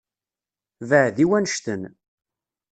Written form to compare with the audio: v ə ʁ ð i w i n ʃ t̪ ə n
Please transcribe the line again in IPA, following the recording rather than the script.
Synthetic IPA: v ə ʕ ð i w æ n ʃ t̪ ə n

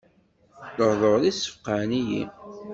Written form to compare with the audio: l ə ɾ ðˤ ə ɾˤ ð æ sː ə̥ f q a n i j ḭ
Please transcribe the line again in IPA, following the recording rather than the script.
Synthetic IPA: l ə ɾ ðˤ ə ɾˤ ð i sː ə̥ f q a n i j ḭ

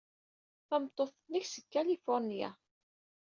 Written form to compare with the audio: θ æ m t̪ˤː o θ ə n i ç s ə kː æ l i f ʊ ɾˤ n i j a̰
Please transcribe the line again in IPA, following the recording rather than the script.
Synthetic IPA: θ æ m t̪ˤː o θ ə n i ç s ə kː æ l i f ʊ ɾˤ n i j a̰

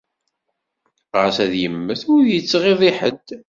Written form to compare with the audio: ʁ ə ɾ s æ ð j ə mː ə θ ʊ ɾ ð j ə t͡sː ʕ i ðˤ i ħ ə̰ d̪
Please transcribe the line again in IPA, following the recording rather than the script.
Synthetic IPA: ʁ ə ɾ s æ ð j ə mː ə θ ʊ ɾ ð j ə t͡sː ʁ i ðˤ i ħ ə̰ d̪

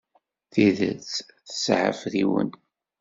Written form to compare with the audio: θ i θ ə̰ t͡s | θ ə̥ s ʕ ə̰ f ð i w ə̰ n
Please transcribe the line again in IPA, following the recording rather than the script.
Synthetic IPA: θ i ð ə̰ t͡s | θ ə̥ s ʕ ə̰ f ð i w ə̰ n

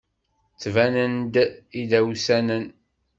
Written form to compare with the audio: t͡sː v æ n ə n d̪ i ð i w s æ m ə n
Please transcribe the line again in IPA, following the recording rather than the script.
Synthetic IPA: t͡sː v æ n ə n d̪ i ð æ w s æ n ə n

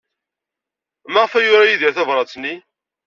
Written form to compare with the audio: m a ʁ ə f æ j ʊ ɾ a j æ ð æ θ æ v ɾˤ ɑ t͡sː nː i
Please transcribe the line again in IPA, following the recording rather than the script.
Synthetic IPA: m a ʁ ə f æ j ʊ ɾ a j i ð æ θ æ v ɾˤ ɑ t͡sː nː i

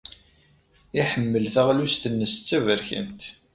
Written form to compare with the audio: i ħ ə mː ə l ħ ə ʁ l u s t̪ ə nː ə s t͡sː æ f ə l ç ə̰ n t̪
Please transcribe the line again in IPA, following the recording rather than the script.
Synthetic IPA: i ħ ə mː ə l θ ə ʁ l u s t̪ ə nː ə s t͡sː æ v ə ɾ ç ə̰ n t̪

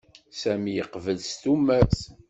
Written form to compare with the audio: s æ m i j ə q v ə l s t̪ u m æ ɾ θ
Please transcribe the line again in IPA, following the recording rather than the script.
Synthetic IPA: s æ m i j ə q v ə l s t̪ u m æ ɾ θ

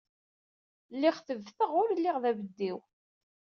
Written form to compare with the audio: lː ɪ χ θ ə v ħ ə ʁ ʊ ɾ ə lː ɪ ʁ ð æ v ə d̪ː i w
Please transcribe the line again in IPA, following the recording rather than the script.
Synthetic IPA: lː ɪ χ θ ə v θ ə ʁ ʊ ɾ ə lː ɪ ʁ ð æ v ə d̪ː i w

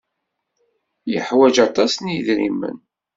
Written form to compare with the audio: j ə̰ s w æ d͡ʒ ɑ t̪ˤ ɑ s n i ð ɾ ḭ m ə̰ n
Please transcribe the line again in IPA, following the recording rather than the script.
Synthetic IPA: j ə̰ ħ w æ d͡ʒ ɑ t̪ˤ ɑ s n i ð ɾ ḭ m ə̰ n

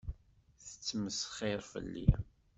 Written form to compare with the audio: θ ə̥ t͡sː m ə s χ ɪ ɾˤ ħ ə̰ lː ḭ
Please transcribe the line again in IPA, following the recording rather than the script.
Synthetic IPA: θ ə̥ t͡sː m ə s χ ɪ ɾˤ f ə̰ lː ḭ

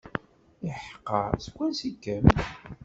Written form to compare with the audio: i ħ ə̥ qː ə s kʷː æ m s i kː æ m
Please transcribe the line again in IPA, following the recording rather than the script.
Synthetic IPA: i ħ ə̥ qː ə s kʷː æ n s i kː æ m

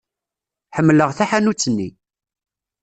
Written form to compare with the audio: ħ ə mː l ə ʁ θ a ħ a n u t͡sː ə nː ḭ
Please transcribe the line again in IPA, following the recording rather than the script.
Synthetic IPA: ħ ə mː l ə ʁ θ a ħ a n u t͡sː ə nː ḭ

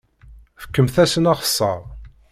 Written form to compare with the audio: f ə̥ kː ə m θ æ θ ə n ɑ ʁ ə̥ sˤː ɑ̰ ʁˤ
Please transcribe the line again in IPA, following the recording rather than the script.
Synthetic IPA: f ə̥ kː ə m θ æ s ə n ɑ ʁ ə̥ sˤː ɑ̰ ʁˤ

